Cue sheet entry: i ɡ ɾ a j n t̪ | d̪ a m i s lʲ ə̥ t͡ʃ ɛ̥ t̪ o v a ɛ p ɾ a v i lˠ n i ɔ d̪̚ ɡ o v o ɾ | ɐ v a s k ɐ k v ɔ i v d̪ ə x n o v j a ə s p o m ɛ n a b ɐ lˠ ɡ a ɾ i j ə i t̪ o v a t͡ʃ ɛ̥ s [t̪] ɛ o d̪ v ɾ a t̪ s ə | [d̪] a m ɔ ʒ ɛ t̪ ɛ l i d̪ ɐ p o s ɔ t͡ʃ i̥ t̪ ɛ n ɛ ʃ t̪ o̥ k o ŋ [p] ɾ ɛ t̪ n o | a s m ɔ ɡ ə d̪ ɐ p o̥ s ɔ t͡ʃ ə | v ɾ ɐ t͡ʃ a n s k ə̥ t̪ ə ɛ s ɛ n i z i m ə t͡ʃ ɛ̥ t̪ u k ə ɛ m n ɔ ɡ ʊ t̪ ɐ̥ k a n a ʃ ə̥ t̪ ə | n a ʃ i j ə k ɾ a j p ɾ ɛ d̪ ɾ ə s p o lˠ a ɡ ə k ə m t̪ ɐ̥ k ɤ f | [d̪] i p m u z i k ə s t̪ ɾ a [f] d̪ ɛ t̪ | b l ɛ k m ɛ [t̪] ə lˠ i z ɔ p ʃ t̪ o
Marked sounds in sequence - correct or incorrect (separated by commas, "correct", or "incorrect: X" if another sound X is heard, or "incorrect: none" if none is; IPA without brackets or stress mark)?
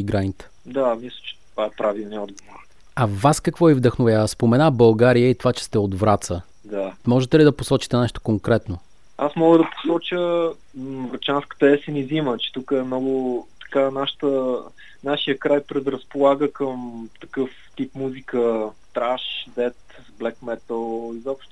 correct, correct, incorrect: k, incorrect: t̪, incorrect: ʃ, correct